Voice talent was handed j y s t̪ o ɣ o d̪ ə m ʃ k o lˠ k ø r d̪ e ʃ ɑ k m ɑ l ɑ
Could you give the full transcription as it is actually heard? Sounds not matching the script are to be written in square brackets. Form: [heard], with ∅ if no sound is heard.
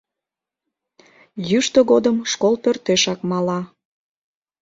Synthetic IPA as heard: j y [ʃ] t̪ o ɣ o d̪ ə m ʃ k o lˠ [p] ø r [t̪] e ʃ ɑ k m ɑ l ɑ